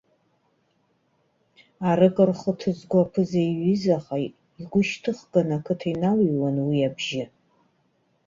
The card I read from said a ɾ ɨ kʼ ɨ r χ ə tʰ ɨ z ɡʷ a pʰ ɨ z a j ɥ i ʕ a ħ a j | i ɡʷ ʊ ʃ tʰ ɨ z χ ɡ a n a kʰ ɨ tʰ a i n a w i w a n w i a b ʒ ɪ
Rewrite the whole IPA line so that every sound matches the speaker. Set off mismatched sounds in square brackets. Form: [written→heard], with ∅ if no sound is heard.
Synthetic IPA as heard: a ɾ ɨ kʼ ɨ r χ ə tʰ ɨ z ɡʷ a pʰ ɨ z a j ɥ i [ʕ→z] a [ħ→χ] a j | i ɡʷ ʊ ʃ tʰ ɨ [z→∅] χ ɡ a n a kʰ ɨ tʰ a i n a w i w a n w i a b ʒ ɪ